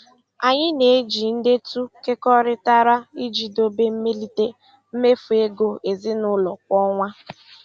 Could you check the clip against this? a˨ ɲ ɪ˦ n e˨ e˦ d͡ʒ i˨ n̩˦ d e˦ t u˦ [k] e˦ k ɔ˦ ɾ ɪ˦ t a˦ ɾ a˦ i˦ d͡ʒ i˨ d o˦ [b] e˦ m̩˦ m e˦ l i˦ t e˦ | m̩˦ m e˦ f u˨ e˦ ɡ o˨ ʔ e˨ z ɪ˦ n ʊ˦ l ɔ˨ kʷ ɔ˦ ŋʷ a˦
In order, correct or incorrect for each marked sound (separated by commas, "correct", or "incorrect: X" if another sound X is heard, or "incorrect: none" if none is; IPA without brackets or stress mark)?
correct, correct